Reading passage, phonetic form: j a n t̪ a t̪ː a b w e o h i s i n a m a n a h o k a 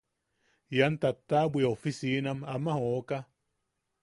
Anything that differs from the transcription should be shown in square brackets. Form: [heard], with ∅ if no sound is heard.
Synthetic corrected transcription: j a n t̪ a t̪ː a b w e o [f] i s i n a m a [m] a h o k a